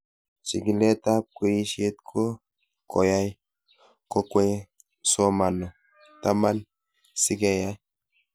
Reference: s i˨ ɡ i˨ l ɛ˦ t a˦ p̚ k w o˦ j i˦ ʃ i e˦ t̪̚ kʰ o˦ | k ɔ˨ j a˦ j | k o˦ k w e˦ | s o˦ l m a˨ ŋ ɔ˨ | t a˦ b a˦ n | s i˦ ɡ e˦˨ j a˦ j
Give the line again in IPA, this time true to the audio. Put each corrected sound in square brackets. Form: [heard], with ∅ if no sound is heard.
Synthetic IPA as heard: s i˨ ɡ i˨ l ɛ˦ t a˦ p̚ k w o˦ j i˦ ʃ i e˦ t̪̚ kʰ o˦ | k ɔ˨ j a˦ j | k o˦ k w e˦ | s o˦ [∅] m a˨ [n] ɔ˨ | t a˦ [m] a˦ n | s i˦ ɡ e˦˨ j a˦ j